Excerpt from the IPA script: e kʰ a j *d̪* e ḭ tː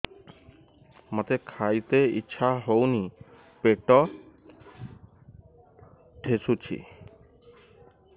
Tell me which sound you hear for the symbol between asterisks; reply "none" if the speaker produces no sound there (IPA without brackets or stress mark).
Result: t̪